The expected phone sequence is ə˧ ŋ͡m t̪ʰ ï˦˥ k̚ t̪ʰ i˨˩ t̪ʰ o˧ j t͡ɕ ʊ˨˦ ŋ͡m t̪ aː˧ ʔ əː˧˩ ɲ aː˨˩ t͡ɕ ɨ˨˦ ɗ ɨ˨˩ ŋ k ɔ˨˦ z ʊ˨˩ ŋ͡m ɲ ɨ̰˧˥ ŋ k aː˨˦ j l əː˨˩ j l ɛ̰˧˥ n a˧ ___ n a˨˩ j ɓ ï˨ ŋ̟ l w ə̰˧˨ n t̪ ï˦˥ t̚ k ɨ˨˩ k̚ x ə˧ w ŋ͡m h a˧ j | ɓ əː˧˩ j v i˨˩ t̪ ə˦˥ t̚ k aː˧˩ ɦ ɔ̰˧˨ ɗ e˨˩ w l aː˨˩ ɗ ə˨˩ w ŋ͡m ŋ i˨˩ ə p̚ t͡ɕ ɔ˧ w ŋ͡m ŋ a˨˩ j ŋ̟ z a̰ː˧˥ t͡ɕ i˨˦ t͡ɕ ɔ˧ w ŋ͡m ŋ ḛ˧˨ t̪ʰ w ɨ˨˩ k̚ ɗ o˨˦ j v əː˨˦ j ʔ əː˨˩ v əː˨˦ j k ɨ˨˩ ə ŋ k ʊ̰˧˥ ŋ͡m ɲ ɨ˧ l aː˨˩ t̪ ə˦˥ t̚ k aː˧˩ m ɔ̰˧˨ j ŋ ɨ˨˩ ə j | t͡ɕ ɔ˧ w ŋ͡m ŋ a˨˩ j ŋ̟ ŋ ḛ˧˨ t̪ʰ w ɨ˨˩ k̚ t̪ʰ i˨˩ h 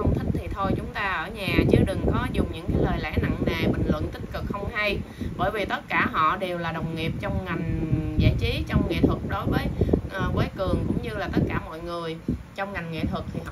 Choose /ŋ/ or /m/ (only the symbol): ŋ